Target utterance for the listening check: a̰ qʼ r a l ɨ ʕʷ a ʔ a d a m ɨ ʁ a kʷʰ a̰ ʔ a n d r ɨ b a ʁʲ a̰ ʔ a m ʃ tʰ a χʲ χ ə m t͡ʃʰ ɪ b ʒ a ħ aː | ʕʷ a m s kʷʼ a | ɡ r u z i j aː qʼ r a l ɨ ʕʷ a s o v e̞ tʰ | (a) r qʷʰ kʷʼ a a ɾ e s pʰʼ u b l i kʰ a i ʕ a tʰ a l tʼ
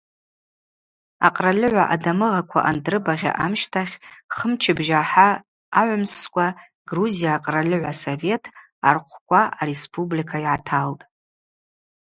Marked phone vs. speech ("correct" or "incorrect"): correct